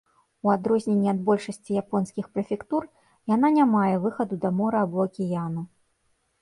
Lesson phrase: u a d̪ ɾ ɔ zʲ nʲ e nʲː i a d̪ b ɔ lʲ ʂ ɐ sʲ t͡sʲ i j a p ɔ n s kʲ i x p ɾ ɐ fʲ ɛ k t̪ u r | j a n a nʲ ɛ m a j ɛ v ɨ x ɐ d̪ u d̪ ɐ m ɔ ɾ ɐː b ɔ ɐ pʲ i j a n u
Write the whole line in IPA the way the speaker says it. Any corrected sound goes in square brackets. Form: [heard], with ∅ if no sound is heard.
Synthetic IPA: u a d̪ ɾ ɔ zʲ nʲ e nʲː i a d̪ b ɔ lʲ ʂ ɐ sʲ t͡sʲ i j a p ɔ n s kʲ i x p ɾ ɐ fʲ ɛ k t̪ u r | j a n a nʲ [a] m a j ɛ v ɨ x ɐ d̪ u d̪ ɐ m ɔ ɾ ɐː b ɔ ɐ [kʲ] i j a n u